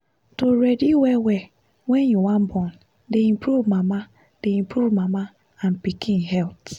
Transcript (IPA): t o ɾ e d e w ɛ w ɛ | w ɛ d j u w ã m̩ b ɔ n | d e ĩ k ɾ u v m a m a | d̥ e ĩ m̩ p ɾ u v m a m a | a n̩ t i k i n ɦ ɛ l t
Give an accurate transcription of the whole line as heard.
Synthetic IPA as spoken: t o ɾ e d i w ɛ w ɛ | w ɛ n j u w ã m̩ b ɔ n | d e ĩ p ɾ u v m a m a | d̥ e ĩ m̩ p ɾ u v m a m a | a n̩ p i k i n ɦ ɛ l t